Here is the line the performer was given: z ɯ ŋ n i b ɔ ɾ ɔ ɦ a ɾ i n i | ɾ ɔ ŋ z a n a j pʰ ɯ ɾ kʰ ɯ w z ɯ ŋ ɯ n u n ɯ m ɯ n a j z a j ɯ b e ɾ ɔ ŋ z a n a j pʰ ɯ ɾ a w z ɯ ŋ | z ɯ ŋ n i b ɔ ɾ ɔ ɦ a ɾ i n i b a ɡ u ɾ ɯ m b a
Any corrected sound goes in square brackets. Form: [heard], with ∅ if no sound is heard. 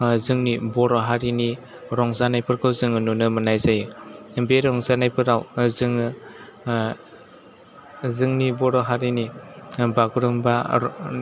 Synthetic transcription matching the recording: z ɯ ŋ n i b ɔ ɾ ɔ ɦ a ɾ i n i | ɾ ɔ ŋ z a n a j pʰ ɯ ɾ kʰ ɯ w z ɯ ŋ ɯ n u n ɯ m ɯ n a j z a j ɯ b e ɾ ɔ ŋ z a n a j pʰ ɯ ɾ a w z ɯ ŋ | z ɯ ŋ n i b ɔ ɾ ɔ ɦ a ɾ i n i b a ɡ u ɾ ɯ m b a

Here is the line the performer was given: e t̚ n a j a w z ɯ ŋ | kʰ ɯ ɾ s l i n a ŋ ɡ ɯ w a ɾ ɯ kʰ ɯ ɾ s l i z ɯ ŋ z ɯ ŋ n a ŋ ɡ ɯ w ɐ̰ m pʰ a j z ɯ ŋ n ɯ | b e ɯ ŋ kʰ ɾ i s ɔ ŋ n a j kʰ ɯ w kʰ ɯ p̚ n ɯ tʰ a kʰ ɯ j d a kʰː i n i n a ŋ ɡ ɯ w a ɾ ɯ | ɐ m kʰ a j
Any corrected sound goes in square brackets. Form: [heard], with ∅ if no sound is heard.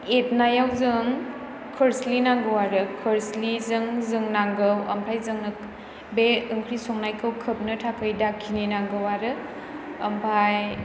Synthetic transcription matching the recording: e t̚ n a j a w z ɯ ŋ | kʰ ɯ ɾ s l i n a ŋ ɡ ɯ w a ɾ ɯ kʰ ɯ ɾ s l i z ɯ ŋ z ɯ ŋ n a ŋ ɡ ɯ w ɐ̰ m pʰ a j z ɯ ŋ n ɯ | b e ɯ ŋ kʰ ɾ i s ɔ ŋ n a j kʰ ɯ w kʰ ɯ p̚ n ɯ tʰ a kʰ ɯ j d a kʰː i n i n a ŋ ɡ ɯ w a ɾ ɯ | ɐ m [pʰ] a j

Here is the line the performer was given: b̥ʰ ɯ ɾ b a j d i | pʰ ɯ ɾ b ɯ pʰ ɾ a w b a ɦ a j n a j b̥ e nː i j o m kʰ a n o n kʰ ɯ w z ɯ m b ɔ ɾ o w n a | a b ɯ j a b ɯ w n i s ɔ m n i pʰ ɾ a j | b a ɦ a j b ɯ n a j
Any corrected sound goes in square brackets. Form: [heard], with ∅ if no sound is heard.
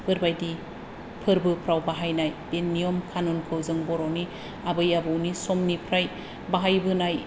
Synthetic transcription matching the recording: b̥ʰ ɯ ɾ b a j d i | pʰ ɯ ɾ b ɯ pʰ ɾ a w b a ɦ a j n a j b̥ e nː i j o m kʰ a n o n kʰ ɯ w z ɯ [ŋ] b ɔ ɾ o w n [i] | a b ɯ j a b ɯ w n i s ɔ m n i pʰ ɾ a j | b a ɦ a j b ɯ n a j

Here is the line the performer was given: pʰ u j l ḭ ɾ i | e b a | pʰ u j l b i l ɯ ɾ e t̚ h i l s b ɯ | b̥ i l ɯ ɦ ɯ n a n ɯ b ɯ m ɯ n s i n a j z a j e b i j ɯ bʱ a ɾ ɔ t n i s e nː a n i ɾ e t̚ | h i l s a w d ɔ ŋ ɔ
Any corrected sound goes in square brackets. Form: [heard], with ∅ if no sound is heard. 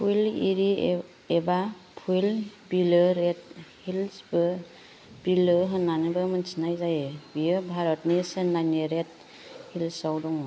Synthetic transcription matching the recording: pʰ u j l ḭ ɾ i | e b a | pʰ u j l b i l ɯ ɾ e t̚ h i l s b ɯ | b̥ i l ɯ ɦ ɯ n a n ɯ b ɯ m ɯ n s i n a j z a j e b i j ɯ bʱ a ɾ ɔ t n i s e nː a n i ɾ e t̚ | h i l s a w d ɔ ŋ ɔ

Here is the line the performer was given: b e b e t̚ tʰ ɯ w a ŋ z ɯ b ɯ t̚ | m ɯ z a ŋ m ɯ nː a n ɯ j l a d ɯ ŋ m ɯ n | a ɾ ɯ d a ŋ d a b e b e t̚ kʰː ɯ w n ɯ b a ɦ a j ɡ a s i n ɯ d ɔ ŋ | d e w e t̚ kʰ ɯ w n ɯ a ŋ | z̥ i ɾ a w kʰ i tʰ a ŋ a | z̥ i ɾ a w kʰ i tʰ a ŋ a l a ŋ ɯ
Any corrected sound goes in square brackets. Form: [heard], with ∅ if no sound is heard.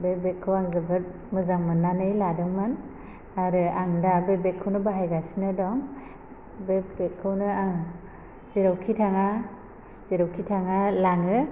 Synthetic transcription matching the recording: b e b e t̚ [kʰ] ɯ w a ŋ z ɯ b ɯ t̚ | m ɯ z a ŋ m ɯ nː a n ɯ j l a d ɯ ŋ m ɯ n | a ɾ ɯ [∅] a ŋ d a b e b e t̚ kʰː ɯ w n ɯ b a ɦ a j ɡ a s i n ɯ d ɔ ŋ | [b] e [b] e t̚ kʰ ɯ w n ɯ a ŋ | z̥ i ɾ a w kʰ i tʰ a ŋ a | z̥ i ɾ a w kʰ i tʰ a ŋ a l a ŋ ɯ

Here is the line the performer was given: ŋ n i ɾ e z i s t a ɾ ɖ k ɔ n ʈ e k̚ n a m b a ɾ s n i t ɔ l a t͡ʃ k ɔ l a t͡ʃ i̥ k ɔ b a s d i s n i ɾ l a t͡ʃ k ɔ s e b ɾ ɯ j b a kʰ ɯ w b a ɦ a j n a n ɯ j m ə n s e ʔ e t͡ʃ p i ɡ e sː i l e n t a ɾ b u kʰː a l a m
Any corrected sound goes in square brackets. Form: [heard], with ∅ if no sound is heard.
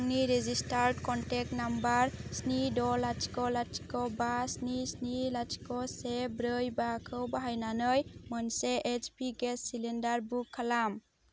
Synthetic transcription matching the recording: ŋ n i ɾ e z i s t a ɾ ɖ k ɔ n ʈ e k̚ n a m b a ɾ s n i [d] ɔ l a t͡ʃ k ɔ l a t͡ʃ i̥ k ɔ b a s [n] i s n i [∅] l a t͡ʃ k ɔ s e b ɾ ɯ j b a kʰ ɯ w b a ɦ a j n a n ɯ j m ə n s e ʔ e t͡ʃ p i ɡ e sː i l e n [d] a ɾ b u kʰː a l a m

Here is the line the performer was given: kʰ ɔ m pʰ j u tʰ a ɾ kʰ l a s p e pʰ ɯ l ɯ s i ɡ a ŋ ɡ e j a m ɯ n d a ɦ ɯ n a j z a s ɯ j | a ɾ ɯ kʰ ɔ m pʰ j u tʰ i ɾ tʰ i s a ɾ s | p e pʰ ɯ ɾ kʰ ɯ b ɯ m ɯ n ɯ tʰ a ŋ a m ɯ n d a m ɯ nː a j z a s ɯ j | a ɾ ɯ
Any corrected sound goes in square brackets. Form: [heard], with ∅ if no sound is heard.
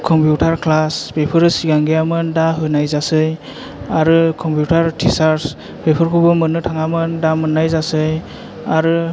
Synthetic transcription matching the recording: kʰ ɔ m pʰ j u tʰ a ɾ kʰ l a s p e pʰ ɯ [ɾ] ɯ s i ɡ a ŋ ɡ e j a m ɯ n d a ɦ ɯ n a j z a s ɯ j | a ɾ ɯ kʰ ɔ m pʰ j u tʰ [a] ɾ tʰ i s a ɾ s | p e pʰ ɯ ɾ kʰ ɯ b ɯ m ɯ n ɯ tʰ a ŋ a m ɯ n d a m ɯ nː a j z a s ɯ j | a ɾ ɯ

